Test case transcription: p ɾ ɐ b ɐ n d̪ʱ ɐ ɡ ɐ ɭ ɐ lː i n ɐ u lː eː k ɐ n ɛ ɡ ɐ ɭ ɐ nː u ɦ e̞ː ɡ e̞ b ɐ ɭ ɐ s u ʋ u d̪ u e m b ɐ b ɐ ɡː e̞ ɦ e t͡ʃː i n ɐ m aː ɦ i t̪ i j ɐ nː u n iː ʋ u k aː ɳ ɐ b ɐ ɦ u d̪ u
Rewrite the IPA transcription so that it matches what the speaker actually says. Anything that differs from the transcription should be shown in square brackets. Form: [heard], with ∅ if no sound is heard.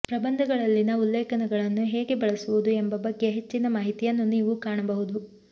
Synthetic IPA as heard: p ɾ ɐ b ɐ n d̪ʱ ɐ ɡ ɐ ɭ ɐ lː i n ɐ u lː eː k ɐ n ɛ ɡ ɐ ɭ ɐ nː u ɦ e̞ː ɡ e̞ b ɐ ɭ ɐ s u ʋ u d̪ u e m b ɐ b ɐ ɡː e̞ ɦ e t͡ʃː i n ɐ m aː ɦ i t̪ i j ɐ nː u n iː ʋ u k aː ɳ ɐ b ɐ ɦ u d̪ u